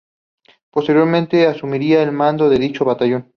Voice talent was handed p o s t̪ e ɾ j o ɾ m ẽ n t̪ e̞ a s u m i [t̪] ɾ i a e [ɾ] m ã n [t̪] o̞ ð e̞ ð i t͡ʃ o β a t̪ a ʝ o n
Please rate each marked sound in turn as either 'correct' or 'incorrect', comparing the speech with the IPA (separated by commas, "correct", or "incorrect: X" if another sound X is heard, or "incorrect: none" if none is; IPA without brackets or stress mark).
incorrect: none, incorrect: l, incorrect: d̪